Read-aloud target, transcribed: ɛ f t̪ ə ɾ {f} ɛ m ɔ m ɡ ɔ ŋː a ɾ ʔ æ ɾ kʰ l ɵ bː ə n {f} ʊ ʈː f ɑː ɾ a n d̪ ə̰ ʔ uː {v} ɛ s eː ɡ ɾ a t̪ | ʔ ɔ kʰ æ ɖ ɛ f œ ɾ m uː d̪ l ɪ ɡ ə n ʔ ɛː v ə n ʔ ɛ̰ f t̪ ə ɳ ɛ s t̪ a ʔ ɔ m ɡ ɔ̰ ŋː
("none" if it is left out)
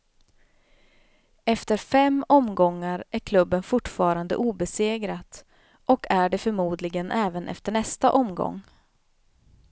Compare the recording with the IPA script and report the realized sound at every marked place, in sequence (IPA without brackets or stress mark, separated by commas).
f, f, b